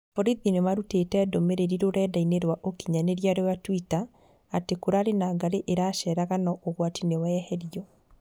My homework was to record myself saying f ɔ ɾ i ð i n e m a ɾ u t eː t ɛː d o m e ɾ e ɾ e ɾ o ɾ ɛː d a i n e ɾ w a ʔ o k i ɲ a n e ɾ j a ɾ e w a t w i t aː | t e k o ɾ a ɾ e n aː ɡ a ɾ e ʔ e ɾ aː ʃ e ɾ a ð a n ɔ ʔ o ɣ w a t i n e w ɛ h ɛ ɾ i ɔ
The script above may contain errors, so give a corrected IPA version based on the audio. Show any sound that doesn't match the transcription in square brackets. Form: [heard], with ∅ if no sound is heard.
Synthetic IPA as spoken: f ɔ ɾ i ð i n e m a ɾ u t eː t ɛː d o m e ɾ e ɾ [i] ɾ o ɾ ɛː d a i n e ɾ w a ʔ o k i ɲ a n e ɾ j a ɾ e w a t w i t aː | t e k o ɾ a ɾ e n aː ɡ a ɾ e ʔ e ɾ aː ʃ [ɛ] ɾ a [ɣ] a n ɔ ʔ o ɣ w a t i n e w ɛ h ɛ ɾ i ɔ